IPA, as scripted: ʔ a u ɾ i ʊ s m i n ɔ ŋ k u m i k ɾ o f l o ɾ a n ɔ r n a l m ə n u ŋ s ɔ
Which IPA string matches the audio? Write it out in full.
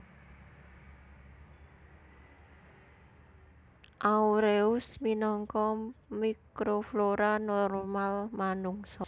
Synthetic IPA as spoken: ʔ a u ɾ e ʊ s m i n ɔ ŋ k ɔ m i k ɾ o f l o ɾ a n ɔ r m a l m a n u ŋ s ɔ